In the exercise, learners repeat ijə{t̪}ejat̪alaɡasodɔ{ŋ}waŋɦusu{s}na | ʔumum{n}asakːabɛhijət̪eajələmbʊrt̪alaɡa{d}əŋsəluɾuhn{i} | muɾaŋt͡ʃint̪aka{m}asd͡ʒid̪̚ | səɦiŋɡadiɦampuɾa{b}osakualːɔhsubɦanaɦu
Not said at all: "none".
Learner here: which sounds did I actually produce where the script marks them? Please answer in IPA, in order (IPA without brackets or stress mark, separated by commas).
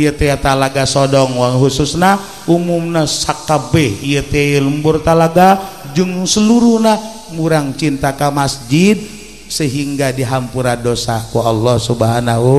t̪, ŋ, s, n, d͡ʒ, a, m, d